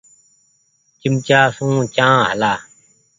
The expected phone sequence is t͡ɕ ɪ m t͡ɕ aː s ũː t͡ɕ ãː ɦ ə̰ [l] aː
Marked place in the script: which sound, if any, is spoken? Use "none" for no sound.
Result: l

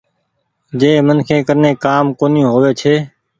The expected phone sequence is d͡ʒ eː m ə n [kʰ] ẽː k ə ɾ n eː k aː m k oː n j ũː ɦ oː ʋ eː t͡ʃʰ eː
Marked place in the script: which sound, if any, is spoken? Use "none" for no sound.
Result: kʰ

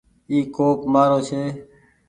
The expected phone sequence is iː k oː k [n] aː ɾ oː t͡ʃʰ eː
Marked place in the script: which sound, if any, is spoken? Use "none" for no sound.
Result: m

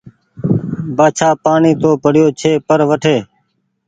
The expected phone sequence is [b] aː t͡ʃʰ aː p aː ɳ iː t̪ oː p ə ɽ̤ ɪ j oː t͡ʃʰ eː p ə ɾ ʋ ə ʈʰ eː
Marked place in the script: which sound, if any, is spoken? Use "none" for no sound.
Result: b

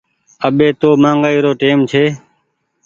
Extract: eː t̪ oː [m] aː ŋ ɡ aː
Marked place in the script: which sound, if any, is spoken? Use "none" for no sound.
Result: m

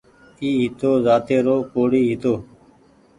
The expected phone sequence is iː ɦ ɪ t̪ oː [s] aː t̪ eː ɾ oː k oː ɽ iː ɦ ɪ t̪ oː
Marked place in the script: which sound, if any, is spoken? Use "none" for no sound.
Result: z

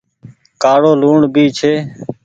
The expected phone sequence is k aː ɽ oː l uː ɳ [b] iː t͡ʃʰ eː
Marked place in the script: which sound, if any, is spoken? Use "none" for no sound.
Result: b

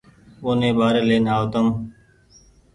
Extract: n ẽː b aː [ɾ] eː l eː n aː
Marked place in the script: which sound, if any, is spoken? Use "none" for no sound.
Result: ɾ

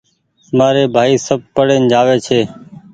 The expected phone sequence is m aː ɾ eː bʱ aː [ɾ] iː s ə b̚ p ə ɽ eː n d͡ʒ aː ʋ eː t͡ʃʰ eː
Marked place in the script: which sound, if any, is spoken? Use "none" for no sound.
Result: none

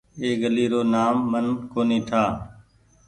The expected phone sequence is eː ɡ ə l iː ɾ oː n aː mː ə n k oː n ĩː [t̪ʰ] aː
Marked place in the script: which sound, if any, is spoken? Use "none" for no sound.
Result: t̪ʰ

